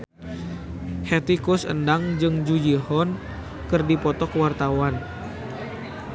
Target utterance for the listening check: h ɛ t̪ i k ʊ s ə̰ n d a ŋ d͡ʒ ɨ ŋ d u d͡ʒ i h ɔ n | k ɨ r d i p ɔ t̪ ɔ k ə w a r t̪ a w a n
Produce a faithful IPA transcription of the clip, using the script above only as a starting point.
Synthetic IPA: h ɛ t̪ i k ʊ s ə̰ n d a ŋ d͡ʒ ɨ ŋ d͡ʒ u d͡ʒ i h ɔ n | k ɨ r d i p ɔ t̪ ɔ k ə w a r t̪ a w a n